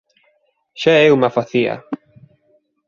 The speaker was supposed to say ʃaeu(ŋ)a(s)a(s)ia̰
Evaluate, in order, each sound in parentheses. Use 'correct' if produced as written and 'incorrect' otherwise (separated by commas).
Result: incorrect, incorrect, incorrect